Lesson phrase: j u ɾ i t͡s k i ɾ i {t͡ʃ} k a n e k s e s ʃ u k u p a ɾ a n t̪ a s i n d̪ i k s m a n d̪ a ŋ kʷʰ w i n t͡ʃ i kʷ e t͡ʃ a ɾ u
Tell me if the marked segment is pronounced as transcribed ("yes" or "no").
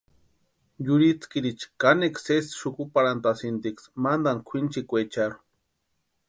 yes